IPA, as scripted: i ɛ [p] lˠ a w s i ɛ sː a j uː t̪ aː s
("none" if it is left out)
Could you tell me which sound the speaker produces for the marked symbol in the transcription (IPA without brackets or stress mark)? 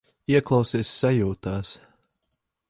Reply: k